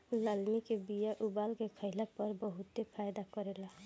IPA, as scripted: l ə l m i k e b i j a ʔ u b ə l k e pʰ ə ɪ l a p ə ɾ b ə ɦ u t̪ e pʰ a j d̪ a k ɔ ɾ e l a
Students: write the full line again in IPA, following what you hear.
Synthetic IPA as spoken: l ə l m i k e b i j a ʔ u b a l k e kʰ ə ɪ l a p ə ɾ b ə ɦ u t̪ e pʰ a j d̪ a k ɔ ɾ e l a